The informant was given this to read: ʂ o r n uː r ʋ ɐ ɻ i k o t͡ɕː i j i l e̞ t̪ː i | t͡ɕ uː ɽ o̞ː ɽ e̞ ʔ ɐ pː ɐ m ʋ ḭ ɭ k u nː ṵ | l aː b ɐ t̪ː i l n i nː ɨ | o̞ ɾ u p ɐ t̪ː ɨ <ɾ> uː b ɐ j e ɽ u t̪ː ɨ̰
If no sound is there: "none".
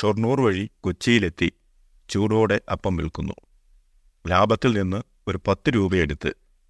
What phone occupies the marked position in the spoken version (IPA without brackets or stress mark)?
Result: ɾ